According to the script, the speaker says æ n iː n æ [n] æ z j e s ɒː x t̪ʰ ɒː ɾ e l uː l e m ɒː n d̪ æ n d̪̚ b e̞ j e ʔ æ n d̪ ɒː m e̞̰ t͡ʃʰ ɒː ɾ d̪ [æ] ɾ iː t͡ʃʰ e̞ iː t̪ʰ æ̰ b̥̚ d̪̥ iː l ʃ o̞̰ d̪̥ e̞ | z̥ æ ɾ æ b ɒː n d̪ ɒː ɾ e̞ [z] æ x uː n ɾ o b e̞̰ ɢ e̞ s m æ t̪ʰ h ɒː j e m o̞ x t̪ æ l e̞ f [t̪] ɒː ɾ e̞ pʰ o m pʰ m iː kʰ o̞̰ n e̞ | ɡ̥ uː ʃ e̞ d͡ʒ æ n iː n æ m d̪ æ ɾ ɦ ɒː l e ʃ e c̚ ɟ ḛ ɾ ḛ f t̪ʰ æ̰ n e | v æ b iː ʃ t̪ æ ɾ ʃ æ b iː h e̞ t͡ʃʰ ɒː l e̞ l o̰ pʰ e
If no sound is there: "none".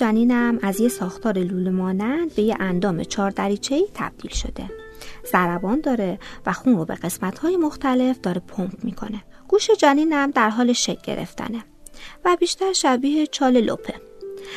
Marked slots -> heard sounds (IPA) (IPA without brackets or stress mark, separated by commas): m, æ, v, d̪